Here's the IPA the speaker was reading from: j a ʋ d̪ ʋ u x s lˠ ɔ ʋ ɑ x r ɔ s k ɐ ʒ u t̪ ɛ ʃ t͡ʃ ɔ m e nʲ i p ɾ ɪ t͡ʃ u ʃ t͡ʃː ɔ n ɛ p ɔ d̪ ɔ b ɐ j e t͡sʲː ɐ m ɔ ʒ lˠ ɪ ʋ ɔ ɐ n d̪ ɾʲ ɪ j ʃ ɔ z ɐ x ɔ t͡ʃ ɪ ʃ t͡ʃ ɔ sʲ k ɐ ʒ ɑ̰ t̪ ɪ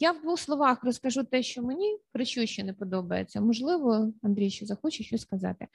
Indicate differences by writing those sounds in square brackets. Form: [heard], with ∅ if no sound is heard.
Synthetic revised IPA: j a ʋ d̪ ʋ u x s lˠ ɔ ʋ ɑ x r ɔ s k ɐ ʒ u t̪ ɛ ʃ t͡ʃ ɔ m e nʲ i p ɾ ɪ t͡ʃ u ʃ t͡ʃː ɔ n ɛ p ɔ d̪ ɔ b ɐ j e t͡sʲː ɐ m ɔ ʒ lˠ ɪ ʋ ɔ ɐ n d̪ ɾʲ [i] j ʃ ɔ z ɐ x ɔ t͡ʃ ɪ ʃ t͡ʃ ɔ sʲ k ɐ [z] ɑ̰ t̪ ɪ